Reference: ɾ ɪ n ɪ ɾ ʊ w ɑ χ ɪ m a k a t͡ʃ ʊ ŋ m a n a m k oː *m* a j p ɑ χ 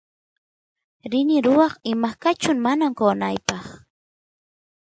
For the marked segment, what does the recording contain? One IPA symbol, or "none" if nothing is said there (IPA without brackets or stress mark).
n